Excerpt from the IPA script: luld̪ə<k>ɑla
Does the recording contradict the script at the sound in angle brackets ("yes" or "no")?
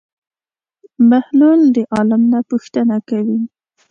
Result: yes